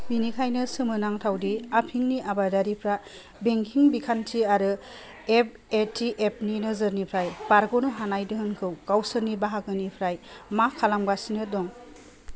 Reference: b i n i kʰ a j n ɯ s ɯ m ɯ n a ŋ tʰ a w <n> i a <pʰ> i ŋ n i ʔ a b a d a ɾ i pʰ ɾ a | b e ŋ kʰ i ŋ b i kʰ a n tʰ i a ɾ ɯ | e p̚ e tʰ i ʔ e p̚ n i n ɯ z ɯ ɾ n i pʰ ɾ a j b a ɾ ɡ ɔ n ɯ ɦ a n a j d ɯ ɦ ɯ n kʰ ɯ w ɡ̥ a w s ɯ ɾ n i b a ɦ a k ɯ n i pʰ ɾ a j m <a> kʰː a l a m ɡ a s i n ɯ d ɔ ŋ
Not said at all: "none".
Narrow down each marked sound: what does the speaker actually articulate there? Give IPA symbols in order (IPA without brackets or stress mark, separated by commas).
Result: d, pʰ, a